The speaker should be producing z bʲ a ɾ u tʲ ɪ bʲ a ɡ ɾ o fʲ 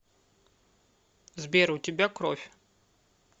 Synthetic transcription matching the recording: z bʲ e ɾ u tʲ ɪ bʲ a k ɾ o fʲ